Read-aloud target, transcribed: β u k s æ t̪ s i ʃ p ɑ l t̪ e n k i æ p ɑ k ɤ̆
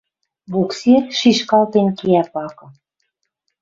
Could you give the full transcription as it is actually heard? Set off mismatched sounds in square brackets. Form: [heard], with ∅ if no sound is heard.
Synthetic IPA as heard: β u k s [e] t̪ [ʃ] i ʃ [k] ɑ l t̪ e n k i æ p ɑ k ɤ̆